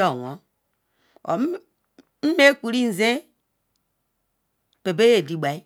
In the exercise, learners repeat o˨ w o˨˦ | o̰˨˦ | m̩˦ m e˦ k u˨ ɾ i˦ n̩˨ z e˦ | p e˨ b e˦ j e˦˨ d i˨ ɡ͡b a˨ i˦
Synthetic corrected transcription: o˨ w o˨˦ | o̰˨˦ | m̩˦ m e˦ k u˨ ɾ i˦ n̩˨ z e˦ | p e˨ b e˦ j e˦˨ d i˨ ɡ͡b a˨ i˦